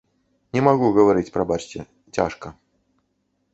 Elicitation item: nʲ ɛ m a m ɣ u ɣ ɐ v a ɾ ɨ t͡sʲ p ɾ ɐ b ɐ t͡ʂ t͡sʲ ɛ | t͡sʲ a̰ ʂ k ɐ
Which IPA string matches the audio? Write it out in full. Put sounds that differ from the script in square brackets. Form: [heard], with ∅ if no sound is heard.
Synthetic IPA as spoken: nʲ ɛ m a [∅] ɣ u ɣ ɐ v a ɾ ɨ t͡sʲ p ɾ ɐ b [a] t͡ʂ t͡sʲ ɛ | t͡sʲ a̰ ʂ k ɐ